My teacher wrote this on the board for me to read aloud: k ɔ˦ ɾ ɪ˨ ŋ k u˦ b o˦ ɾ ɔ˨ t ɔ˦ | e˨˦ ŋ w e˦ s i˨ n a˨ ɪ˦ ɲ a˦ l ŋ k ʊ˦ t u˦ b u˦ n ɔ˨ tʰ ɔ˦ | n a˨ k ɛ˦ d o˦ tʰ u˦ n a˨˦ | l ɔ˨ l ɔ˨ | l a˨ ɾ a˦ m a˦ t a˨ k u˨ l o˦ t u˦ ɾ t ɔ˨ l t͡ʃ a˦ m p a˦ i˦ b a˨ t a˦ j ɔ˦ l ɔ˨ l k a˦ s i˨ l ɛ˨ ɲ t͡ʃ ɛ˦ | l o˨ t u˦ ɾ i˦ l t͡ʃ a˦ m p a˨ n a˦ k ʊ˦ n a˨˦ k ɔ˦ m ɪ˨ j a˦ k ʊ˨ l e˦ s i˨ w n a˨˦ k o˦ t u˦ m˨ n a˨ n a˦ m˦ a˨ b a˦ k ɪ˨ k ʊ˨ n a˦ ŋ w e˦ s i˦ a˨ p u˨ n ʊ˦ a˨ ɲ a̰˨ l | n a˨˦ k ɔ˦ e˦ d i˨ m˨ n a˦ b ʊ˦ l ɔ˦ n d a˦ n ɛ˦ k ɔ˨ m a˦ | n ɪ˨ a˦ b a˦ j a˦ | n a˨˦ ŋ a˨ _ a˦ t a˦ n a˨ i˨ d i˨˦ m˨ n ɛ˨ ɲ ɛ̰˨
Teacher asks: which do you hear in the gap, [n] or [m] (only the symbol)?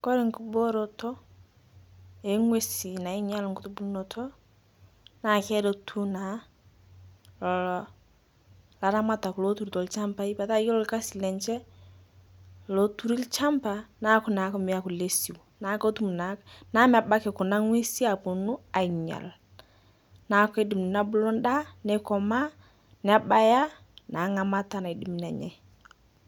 m